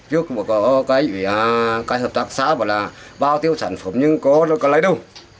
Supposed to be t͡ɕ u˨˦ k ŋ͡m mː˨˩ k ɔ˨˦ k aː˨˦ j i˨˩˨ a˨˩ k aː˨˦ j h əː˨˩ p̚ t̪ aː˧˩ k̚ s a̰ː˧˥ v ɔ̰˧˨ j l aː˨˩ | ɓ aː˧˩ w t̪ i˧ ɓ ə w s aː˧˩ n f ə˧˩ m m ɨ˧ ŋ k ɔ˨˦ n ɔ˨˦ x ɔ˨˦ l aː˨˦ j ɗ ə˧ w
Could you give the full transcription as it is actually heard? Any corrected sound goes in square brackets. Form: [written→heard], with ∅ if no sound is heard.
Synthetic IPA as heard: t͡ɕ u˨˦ k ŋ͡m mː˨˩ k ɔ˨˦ k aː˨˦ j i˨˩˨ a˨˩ k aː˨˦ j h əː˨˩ p̚ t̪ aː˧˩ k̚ s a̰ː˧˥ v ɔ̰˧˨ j l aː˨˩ | ɓ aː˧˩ w t̪ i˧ [ɓ→∅] ə w s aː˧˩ n f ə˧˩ m [m→ɲ] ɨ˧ ŋ k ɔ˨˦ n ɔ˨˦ [x→k] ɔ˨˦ l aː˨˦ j ɗ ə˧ w